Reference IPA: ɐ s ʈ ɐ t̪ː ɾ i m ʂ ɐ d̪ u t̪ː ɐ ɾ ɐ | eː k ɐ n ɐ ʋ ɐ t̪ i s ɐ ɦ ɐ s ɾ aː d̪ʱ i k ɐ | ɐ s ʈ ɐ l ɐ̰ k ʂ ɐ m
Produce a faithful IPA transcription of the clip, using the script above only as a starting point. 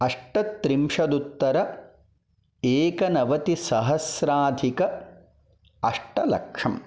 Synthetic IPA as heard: ɐ ʂ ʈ ɐ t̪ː ɾ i m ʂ ɐ d̪ u t̪ː ɐ ɾ ɐ | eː k ɐ n ɐ ʋ ɐ t̪ i s ɐ ɦ ɐ s ɾ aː d̪ʱ i k ɐ | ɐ ʂ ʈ ɐ l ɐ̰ k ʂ ɐ m